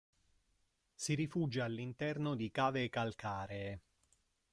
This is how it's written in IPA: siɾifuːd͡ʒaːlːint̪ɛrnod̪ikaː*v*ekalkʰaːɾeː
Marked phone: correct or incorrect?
correct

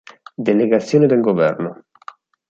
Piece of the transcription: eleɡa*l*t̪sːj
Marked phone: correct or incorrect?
incorrect: none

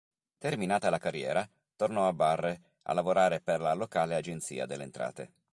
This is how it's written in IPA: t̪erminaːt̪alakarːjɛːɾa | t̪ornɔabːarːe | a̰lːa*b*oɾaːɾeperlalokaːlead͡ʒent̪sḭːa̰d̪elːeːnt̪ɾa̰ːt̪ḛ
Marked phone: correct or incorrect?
incorrect: v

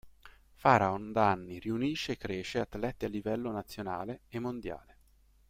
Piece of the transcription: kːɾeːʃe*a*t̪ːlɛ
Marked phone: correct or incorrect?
correct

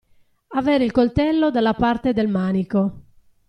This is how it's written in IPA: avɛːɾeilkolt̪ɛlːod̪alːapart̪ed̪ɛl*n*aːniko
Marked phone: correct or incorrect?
incorrect: m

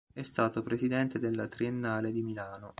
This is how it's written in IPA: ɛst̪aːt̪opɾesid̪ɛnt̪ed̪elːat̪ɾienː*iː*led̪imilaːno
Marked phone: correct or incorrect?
incorrect: aː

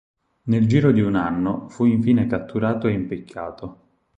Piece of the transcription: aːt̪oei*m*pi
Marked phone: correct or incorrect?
correct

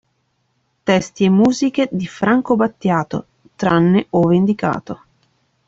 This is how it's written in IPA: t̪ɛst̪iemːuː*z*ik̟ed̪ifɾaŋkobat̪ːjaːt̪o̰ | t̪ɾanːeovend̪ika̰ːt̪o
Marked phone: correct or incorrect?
correct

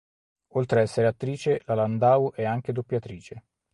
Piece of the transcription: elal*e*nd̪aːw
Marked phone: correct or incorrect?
incorrect: a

